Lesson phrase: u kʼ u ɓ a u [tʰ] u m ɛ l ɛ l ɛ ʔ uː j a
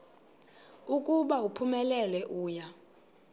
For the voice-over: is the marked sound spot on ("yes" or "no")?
no